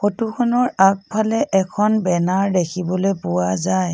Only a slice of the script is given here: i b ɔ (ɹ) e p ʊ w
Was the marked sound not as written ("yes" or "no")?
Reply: yes